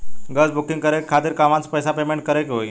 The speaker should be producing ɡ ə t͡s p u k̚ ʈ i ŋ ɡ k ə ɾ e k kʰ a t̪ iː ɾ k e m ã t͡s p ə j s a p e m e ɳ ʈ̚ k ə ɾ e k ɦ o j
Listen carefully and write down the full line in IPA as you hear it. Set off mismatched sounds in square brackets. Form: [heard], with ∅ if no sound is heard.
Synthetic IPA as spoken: ɡ ə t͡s [b] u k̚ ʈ i ŋ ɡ k ə ɾ e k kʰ a t̪ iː ɾ k [a] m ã t͡s p ə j s a p e m e ɳ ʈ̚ k ə ɾ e k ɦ o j